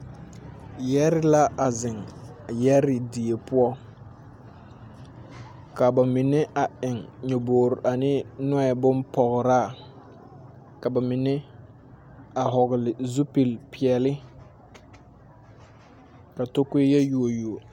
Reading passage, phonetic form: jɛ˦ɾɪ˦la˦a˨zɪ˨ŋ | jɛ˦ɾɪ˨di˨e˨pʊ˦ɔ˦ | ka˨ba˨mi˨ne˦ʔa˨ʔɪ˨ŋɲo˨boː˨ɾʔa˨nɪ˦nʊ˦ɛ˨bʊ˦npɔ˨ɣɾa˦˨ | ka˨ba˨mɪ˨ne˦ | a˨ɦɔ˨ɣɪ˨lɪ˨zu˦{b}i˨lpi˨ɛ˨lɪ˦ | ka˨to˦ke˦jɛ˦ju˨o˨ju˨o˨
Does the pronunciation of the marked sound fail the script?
yes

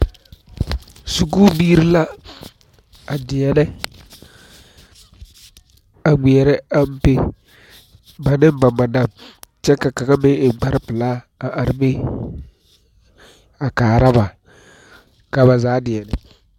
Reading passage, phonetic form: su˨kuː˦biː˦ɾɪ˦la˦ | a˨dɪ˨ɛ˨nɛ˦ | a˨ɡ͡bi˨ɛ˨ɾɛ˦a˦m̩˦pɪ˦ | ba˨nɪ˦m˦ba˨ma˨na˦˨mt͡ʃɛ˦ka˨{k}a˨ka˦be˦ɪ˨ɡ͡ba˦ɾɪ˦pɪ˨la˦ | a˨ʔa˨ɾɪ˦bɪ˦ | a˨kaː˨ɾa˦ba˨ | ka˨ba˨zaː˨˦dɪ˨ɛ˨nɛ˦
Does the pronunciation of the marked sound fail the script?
no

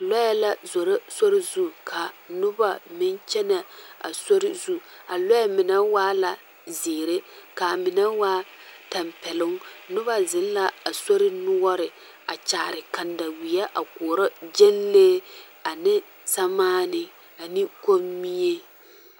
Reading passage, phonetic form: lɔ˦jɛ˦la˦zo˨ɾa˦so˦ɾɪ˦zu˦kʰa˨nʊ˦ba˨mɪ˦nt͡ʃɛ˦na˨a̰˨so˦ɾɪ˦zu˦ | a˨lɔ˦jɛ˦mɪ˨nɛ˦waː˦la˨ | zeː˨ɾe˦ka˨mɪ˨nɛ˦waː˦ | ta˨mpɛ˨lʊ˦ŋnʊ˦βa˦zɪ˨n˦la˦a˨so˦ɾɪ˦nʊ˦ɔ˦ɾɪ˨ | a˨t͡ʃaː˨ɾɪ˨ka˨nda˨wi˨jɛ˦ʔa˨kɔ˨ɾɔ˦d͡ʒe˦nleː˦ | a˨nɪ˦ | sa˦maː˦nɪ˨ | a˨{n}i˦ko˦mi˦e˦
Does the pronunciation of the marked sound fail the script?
no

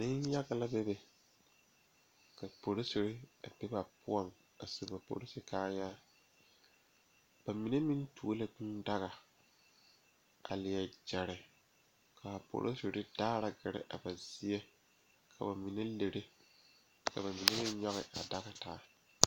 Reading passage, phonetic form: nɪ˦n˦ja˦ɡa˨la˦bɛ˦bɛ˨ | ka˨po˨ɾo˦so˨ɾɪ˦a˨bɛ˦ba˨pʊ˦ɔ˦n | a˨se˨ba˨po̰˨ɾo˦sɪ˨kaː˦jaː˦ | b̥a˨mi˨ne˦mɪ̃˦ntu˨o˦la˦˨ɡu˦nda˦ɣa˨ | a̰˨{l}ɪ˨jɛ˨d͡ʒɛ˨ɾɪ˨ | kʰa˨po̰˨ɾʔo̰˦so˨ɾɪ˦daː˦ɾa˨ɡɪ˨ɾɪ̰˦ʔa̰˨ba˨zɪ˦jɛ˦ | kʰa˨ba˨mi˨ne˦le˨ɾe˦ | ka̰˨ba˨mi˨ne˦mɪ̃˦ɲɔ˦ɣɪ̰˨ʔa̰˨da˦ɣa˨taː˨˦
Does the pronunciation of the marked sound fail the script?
no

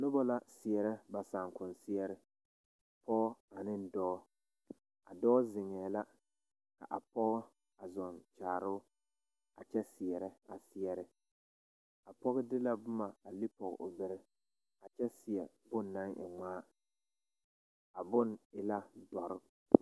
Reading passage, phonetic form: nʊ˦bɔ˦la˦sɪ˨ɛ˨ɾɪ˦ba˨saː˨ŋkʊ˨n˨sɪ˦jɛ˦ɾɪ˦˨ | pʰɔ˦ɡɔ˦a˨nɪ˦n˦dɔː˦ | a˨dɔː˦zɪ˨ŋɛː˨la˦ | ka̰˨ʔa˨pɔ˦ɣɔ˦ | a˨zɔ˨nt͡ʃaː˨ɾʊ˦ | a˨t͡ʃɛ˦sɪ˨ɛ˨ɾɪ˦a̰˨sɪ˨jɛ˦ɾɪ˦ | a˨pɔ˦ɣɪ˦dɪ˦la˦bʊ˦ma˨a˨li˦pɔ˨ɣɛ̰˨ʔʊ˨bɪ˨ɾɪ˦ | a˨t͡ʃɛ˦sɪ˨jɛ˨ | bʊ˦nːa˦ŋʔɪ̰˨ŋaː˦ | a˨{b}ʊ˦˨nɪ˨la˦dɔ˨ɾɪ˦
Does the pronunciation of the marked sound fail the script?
no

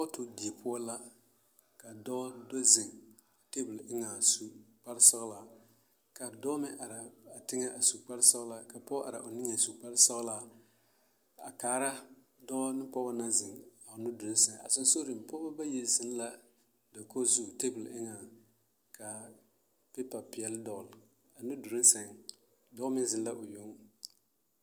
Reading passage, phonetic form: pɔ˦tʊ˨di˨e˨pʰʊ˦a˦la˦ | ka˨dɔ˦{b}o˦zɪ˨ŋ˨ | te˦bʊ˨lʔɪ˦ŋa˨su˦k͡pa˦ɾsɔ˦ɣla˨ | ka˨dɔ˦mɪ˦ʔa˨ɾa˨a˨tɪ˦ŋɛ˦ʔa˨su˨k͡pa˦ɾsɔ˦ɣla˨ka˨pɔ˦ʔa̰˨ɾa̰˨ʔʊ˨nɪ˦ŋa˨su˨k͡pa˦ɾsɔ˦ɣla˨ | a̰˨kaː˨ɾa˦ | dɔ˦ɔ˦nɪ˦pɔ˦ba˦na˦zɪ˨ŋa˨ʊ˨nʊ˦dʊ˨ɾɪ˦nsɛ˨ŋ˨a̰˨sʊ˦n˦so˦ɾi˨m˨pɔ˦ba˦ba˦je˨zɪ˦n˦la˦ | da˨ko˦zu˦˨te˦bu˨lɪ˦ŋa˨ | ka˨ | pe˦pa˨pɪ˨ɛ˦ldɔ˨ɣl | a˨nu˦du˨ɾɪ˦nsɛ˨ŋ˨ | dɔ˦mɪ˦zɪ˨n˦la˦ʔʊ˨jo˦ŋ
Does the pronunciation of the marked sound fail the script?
yes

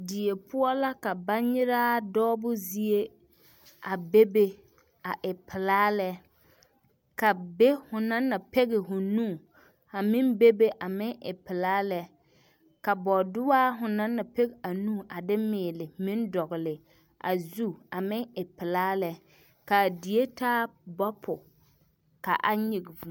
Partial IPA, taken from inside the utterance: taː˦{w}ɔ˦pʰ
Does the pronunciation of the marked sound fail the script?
yes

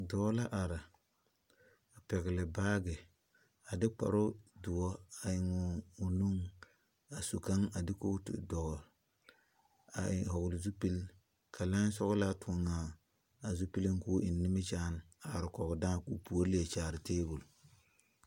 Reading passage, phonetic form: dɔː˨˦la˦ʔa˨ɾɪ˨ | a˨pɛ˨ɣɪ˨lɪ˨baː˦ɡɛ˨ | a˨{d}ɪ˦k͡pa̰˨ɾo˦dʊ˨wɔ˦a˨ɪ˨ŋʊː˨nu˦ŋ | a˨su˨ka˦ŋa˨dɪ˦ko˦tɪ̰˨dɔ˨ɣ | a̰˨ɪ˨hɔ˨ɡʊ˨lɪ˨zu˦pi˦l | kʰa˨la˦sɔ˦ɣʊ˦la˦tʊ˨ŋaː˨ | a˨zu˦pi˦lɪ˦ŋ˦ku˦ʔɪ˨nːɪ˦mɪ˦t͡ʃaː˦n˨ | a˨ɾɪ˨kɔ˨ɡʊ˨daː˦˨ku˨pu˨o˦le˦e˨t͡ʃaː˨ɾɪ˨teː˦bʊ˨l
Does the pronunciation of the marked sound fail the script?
no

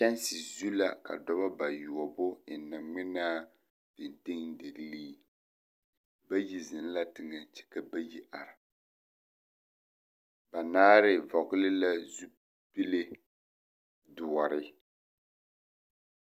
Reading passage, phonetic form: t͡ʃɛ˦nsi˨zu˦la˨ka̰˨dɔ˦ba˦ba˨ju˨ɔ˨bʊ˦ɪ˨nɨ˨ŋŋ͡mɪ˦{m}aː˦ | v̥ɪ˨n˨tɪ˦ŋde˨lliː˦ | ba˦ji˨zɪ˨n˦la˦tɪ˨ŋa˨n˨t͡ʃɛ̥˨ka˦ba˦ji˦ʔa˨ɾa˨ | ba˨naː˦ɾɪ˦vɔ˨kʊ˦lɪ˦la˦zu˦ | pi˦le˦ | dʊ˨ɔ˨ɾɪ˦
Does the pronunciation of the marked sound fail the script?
yes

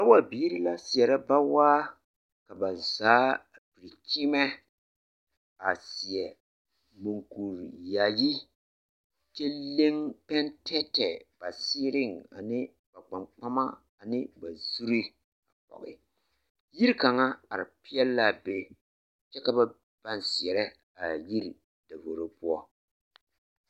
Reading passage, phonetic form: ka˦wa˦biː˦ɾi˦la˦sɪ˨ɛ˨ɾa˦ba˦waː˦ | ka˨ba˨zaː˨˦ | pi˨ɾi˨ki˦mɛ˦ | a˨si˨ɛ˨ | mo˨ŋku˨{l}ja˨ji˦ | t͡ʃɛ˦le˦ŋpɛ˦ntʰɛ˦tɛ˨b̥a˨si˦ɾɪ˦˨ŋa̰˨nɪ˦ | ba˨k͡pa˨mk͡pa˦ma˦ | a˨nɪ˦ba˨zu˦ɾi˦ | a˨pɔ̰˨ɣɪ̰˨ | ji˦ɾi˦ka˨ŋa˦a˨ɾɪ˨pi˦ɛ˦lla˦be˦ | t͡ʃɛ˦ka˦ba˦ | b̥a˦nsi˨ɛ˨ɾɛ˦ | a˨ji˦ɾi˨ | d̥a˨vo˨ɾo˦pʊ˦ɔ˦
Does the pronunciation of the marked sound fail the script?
yes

